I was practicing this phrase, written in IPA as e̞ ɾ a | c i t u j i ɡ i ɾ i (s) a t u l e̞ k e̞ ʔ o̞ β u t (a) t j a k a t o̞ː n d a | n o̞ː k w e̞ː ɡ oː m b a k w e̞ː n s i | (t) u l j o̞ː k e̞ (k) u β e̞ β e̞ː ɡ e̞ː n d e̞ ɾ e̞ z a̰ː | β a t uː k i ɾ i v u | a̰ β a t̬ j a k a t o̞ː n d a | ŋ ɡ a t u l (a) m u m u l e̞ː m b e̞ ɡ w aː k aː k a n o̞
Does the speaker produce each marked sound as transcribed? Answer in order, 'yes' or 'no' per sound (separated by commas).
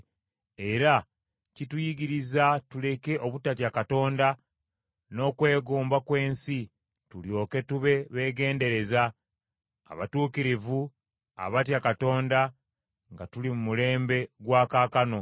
no, yes, yes, no, no